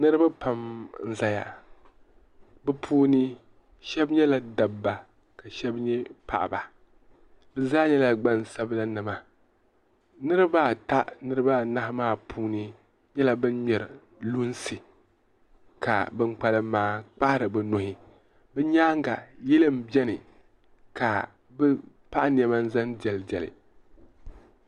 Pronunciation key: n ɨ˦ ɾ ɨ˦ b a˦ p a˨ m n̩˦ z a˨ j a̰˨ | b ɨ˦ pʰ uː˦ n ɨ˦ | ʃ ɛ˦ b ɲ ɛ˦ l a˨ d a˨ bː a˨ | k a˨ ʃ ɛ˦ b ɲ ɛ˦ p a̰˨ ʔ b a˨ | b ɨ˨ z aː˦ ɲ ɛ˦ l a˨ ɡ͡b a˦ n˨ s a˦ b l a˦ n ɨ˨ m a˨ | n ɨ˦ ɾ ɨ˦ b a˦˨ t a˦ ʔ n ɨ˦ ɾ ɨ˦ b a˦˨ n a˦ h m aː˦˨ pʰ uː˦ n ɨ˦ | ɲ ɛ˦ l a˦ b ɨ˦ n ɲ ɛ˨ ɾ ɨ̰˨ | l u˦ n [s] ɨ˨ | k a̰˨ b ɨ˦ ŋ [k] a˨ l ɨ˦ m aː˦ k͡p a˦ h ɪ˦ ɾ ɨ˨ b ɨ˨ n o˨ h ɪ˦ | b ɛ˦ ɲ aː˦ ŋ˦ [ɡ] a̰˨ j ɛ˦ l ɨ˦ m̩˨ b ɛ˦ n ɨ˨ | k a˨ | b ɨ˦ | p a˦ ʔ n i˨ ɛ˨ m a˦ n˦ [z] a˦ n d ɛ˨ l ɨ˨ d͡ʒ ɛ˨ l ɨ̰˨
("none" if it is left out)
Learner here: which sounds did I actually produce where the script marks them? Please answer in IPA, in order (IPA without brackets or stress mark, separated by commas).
s, k͡p, ɡ, z